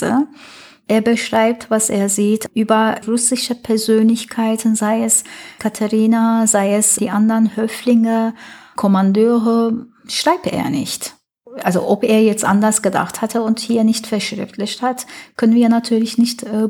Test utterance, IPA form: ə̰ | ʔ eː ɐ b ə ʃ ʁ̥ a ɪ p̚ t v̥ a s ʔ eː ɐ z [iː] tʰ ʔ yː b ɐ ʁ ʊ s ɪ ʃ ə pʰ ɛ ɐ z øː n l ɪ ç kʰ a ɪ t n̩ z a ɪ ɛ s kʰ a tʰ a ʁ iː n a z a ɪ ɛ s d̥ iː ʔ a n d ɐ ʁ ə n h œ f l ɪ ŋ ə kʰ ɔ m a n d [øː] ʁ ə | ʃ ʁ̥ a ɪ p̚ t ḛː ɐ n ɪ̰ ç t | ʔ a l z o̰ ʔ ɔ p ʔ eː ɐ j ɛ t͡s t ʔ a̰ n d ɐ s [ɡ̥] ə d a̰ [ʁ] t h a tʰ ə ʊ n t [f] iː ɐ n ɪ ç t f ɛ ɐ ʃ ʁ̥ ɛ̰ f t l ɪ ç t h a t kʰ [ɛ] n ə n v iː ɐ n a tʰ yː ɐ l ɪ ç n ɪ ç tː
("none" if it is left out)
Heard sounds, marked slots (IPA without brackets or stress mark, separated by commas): iː, øː, ɡ̥, χ, h, œ